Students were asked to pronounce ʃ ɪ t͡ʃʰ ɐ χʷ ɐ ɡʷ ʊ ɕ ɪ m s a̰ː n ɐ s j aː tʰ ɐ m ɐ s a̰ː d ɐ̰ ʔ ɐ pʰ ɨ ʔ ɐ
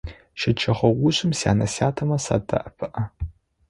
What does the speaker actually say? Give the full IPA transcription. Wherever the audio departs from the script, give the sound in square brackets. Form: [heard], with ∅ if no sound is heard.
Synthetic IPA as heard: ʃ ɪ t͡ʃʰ ɐ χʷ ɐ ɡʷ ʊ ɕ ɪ m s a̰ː n ɐ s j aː tʰ ɐ m ɐ s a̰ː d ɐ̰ ʔ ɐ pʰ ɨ ʔ ɐ